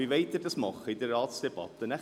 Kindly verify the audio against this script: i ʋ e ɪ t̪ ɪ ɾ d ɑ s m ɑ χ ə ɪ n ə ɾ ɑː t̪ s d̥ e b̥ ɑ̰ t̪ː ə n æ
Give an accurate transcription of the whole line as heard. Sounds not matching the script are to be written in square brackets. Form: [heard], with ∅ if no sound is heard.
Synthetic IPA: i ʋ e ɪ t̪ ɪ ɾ d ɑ s m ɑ χ ə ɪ [d] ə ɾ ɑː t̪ s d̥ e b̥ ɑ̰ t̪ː ə n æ